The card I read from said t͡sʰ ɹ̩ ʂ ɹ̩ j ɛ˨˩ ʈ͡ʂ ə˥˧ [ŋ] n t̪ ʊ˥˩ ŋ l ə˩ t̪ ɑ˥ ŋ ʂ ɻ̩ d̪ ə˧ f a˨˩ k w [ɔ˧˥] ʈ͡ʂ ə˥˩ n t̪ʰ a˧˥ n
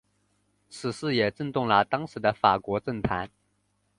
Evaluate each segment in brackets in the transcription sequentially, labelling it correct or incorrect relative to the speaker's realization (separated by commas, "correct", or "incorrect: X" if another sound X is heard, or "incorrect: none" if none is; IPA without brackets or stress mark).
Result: incorrect: none, correct